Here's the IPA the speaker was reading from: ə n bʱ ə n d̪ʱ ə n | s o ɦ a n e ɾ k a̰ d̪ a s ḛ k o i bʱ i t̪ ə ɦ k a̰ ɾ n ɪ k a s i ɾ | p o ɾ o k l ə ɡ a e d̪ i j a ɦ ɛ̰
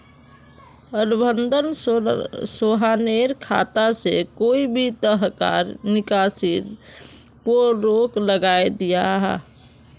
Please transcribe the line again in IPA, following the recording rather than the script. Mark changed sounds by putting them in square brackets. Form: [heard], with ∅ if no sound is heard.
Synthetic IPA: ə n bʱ ə n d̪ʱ ə n | s o ɦ a n e ɾ [kʰ] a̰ [t̪] a s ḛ k o i bʱ i t̪ ə ɦ k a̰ ɾ n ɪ k a s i ɾ | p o ɾ o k l ə ɡ a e d̪ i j a ɦ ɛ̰